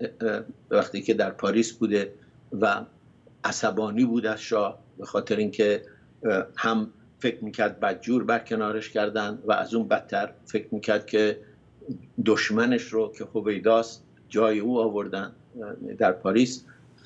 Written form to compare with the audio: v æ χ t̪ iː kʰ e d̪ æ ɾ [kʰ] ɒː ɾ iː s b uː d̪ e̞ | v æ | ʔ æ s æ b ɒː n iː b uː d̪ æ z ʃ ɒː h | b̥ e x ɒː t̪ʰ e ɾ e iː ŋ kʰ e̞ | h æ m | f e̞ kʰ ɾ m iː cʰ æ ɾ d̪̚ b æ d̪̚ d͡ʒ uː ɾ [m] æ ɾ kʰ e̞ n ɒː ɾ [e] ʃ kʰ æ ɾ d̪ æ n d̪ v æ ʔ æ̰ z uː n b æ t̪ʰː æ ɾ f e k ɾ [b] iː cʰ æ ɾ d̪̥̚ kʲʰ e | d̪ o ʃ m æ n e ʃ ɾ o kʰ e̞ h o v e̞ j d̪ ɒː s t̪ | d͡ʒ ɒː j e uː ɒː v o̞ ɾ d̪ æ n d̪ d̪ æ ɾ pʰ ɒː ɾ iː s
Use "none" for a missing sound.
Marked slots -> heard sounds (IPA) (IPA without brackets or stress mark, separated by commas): pʰ, b, e, m